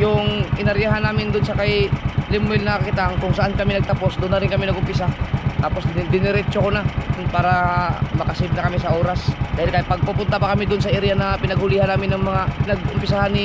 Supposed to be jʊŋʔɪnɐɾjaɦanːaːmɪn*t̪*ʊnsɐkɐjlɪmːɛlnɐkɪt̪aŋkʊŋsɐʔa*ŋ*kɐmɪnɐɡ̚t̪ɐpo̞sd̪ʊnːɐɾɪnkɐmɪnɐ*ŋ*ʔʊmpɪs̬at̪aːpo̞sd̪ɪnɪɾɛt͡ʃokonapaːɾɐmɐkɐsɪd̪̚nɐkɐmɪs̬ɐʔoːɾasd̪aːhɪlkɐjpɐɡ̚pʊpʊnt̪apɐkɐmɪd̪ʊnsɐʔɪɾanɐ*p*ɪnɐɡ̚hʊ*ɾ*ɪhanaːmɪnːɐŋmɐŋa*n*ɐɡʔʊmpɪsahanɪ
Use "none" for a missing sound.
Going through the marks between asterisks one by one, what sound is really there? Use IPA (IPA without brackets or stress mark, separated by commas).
d̪, n, ɡ, p, l, n